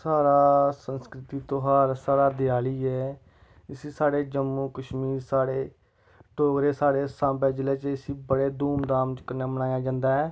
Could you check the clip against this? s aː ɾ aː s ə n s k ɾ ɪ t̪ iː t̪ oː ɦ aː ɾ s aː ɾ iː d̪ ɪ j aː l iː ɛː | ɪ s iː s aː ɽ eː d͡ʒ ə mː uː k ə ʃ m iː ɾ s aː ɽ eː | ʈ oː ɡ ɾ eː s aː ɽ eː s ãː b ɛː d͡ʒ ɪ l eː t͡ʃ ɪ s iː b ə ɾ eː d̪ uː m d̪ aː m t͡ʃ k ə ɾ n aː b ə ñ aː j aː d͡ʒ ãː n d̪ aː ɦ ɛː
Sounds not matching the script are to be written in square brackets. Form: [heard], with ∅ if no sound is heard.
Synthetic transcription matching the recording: s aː ɾ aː s ə n s k ɾ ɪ t̪ iː t̪ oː ɦ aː ɾ s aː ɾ [aː] d̪ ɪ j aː l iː ɛː | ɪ s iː s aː ɽ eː d͡ʒ ə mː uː k ə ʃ m iː ɾ s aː ɽ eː | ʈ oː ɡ ɾ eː s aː ɽ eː s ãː b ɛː d͡ʒ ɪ l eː t͡ʃ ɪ s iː b ə [ɽ] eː d̪ uː m d̪ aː m t͡ʃ k ə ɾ n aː b ə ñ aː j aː d͡ʒ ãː n d̪ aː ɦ ɛː